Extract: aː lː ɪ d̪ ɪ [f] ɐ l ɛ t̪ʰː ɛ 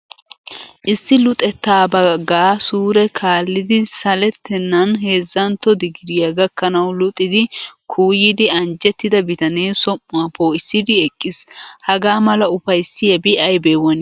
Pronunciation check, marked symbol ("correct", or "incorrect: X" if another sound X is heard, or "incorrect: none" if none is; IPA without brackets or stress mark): incorrect: s